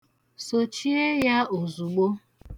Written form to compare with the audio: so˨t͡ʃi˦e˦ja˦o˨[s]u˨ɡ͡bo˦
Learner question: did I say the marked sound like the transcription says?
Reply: no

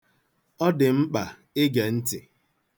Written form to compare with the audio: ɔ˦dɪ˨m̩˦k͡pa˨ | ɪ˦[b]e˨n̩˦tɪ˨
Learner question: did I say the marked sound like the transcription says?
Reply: no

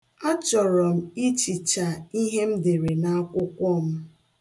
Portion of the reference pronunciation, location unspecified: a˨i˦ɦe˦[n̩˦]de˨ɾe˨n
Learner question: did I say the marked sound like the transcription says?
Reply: no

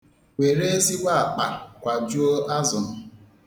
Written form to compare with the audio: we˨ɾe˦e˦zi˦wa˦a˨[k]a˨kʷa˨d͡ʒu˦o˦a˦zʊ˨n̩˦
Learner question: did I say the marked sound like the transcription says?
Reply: no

